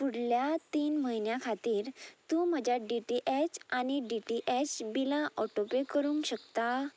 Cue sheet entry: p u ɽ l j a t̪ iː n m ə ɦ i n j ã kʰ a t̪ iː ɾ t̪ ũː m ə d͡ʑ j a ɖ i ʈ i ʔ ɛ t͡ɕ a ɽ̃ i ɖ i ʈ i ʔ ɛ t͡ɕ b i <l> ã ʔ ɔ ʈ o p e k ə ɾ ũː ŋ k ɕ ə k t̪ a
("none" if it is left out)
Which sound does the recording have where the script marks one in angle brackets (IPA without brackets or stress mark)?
l